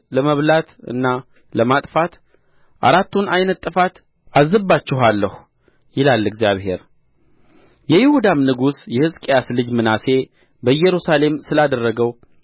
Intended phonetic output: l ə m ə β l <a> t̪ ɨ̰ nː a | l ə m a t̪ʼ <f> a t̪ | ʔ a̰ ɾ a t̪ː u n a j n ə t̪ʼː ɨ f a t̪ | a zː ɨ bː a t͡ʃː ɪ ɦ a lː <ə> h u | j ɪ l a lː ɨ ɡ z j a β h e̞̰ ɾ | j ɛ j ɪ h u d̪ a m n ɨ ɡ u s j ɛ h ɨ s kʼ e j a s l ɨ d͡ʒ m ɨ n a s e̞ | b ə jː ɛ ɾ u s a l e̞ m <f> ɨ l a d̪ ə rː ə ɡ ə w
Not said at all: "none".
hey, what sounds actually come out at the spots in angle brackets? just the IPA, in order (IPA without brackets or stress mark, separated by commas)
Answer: a, f, ə, s